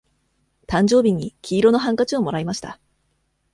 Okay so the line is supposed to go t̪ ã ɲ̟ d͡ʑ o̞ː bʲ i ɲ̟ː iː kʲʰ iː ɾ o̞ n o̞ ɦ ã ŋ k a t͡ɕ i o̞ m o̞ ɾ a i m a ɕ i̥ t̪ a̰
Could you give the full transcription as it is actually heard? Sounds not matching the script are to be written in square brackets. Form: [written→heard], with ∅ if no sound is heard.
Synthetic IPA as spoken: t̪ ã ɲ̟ d͡ʑ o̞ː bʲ i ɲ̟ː [iː→i] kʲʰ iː ɾ o̞ n o̞ ɦ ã ŋ k a t͡ɕ i o̞ m o̞ ɾ a i m a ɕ i̥ t̪ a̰